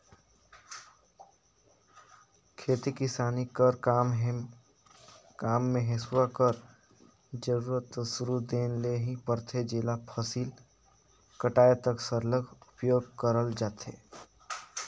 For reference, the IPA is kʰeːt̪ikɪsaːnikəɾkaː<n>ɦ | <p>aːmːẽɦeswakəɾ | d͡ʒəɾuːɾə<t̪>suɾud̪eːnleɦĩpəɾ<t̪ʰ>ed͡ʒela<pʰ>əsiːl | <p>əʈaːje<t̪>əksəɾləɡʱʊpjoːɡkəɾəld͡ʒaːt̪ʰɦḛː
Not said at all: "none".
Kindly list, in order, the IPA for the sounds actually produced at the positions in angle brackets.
m, k, t̪, t̪ʰ, pʰ, k, t̪

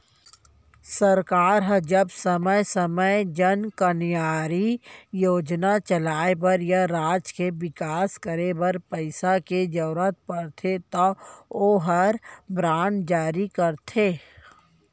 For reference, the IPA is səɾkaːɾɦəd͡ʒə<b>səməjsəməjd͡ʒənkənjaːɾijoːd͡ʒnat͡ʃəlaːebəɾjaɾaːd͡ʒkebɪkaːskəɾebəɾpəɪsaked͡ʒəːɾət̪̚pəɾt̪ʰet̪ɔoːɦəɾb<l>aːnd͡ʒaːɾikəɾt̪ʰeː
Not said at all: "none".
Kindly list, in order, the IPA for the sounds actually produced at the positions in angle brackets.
b, ɾ

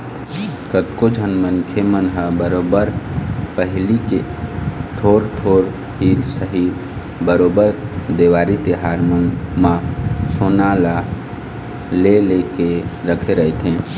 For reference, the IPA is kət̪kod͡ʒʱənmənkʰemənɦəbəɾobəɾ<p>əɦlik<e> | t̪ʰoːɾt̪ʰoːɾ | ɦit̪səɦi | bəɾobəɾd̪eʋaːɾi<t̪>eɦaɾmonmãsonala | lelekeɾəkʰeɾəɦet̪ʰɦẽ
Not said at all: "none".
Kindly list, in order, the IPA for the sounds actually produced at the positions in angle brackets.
p, e, t̪

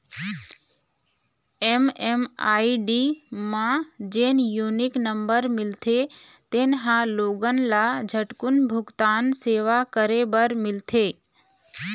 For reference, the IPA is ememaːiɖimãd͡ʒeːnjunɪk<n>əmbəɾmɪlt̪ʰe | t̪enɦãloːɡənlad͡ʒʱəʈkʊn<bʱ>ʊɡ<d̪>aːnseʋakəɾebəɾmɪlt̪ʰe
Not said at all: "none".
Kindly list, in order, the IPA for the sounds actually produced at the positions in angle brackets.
n, bʱ, t̪

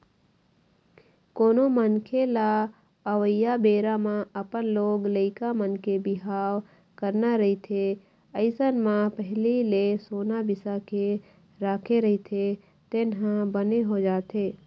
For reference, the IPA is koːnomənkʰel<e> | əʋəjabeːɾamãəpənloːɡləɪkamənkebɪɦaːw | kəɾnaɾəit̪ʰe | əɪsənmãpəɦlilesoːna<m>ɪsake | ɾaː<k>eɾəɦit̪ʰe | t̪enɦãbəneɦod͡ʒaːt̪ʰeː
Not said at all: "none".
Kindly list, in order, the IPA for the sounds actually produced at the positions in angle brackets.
a, b, kʰ

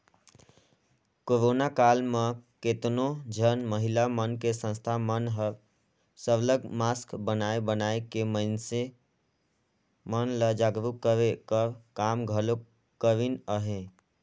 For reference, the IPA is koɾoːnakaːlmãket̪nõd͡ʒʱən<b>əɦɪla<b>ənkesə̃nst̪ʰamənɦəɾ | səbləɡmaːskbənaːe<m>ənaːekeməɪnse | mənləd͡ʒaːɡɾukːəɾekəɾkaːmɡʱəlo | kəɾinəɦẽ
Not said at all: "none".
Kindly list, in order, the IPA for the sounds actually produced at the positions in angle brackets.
m, m, b

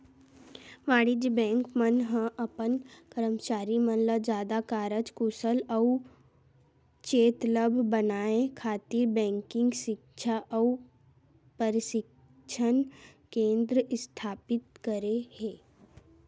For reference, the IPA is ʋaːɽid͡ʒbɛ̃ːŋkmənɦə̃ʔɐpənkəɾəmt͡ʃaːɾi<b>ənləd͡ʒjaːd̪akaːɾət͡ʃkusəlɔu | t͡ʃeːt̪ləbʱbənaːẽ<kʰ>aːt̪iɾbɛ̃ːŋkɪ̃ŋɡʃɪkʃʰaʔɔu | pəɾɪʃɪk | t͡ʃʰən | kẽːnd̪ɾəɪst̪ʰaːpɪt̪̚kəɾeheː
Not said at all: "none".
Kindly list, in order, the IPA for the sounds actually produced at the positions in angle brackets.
m, kʰ

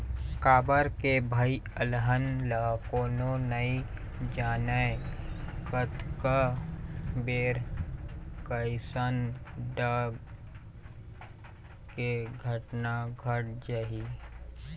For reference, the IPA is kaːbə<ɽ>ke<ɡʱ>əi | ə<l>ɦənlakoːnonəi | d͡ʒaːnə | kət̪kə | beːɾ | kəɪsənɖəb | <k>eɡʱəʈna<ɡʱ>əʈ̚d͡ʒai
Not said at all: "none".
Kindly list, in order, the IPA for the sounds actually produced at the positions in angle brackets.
ɾ, bʱ, l, k, ɡʱ

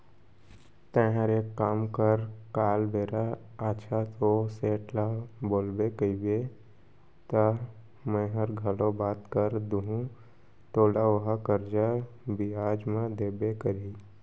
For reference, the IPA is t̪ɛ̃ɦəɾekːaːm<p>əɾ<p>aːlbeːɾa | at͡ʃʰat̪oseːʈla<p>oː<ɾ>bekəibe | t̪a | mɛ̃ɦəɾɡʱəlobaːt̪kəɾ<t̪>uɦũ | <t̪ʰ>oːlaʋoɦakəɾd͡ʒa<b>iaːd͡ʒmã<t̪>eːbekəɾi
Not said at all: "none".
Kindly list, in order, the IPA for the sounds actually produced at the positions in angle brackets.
k, k, b, l, d̪, t̪, b, d̪

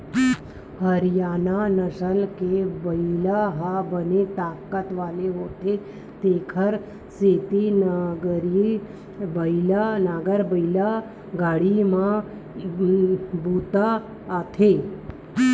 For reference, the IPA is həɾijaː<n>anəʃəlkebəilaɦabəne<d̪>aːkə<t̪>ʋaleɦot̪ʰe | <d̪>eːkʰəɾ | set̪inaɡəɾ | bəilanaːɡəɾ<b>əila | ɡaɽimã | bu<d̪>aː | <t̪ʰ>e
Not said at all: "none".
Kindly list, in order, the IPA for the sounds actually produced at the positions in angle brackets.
n, t̪, t̪, t̪, b, t̪, t̪ʰ

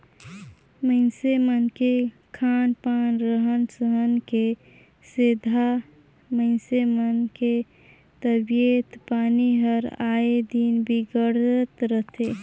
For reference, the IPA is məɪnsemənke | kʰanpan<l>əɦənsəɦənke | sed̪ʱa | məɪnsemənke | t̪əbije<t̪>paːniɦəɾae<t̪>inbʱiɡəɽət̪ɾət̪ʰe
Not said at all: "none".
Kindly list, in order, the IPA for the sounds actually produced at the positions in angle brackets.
ɾ, t̪, d̪

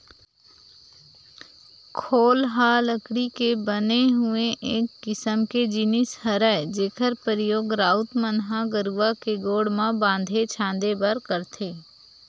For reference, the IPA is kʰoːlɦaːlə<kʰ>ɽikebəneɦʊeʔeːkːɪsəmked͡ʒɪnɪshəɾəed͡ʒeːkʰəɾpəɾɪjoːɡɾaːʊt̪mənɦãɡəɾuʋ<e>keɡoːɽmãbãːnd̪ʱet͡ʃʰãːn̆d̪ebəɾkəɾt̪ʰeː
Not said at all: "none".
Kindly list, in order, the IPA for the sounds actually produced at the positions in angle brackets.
k, a

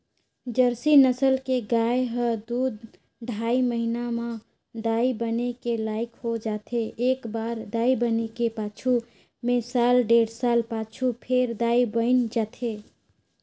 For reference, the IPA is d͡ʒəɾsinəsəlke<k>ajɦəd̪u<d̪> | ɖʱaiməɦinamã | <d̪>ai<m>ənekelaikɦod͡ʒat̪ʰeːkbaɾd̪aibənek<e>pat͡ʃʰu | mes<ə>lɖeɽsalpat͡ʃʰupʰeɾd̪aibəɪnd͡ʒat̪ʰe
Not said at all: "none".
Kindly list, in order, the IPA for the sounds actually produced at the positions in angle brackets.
ɡ, d̪, d̪, b, e, a

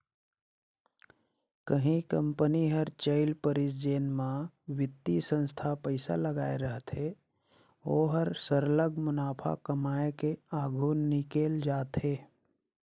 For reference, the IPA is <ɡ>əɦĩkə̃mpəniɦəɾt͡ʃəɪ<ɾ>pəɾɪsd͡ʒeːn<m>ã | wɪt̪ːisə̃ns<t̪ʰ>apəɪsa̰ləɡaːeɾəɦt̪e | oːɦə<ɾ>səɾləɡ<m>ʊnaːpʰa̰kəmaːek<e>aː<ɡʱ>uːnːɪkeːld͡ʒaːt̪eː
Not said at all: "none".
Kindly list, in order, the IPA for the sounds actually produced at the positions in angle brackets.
k, l, m, t̪ʰ, ɾ, m, e, ɡʱ

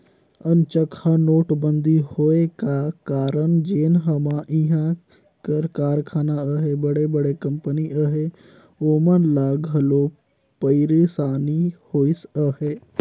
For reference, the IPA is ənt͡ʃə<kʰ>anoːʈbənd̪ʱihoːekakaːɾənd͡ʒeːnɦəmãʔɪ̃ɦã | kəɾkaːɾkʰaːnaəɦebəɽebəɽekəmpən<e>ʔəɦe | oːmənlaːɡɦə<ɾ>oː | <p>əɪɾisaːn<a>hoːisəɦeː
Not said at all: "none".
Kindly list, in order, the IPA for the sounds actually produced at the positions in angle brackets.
kʰ, i, l, p, i

